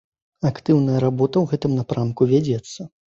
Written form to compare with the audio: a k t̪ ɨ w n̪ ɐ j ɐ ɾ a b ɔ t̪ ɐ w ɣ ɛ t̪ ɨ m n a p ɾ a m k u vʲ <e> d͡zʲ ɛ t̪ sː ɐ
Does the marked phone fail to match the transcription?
yes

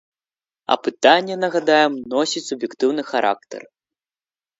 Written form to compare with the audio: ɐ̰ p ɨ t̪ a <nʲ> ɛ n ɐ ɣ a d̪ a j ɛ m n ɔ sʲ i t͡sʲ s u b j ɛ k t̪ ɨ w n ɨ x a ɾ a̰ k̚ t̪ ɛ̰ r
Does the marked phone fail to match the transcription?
yes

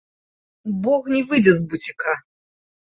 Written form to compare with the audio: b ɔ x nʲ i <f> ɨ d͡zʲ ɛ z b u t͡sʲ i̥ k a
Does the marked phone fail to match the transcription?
yes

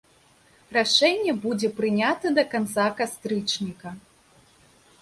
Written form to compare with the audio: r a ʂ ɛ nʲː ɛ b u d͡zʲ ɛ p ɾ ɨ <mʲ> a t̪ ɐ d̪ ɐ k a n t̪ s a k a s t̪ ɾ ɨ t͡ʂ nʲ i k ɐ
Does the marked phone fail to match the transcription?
yes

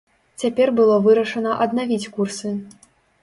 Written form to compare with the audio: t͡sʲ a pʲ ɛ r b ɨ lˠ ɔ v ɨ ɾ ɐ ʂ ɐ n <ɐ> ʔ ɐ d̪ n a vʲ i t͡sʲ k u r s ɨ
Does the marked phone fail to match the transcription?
no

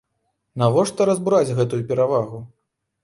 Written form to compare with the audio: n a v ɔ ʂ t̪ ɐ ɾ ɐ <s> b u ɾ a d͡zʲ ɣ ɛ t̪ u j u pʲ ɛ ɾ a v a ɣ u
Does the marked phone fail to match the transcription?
yes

